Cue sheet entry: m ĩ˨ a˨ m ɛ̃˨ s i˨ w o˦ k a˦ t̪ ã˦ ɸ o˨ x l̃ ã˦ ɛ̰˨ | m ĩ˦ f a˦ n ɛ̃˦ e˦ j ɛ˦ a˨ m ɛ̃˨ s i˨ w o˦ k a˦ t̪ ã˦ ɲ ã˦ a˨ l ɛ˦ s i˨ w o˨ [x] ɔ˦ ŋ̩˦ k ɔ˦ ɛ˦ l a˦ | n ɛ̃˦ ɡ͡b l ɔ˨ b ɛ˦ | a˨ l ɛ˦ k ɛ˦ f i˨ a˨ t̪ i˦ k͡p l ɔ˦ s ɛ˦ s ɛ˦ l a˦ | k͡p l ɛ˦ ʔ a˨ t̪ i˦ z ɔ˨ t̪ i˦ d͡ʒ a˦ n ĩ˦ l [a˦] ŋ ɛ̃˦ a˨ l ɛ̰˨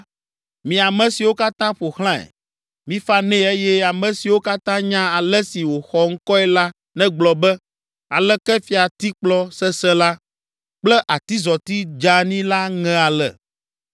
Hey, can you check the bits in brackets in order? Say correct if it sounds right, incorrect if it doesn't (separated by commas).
correct, correct